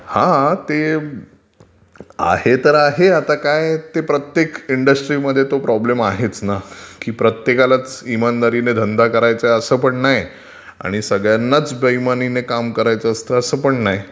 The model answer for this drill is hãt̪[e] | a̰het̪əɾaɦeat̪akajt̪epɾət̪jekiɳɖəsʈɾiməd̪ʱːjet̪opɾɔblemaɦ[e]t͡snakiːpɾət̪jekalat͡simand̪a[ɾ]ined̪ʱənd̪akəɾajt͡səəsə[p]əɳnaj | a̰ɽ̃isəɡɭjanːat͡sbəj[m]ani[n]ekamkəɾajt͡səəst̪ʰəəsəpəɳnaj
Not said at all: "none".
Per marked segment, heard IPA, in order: e, e, ɾ, p, m, n

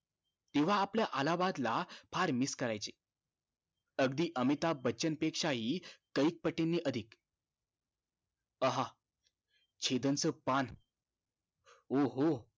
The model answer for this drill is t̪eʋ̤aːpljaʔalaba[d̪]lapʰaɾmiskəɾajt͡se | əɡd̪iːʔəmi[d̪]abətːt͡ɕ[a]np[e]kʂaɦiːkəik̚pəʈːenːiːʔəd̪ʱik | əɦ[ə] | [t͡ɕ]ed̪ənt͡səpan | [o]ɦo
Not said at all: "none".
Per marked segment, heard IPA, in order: d̪, t̪, ə, e, a, t͡ɕʰ, o

